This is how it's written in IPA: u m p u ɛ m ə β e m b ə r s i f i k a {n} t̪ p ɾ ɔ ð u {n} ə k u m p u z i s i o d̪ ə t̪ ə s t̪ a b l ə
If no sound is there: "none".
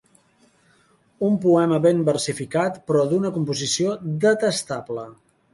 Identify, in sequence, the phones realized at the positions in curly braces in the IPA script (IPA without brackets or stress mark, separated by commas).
none, n